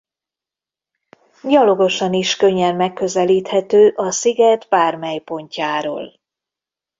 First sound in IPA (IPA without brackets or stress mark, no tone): ɟ